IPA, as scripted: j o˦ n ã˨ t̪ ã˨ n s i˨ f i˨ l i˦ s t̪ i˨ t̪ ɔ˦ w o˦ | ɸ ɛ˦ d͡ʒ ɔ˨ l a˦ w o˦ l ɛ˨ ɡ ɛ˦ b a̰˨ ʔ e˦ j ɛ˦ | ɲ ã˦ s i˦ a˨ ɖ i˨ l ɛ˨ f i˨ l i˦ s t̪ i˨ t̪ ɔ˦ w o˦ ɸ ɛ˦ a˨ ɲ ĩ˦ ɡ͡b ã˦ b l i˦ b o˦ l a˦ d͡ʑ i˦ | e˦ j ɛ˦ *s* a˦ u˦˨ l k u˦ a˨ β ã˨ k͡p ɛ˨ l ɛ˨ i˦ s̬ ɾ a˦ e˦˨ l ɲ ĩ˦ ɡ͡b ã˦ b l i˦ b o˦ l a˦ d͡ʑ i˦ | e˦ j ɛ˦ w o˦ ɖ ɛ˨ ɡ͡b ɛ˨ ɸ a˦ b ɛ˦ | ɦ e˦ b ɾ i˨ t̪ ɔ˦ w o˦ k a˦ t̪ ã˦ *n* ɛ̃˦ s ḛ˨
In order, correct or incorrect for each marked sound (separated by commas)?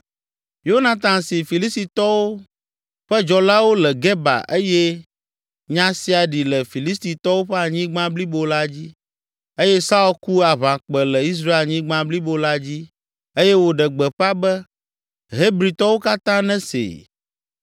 correct, correct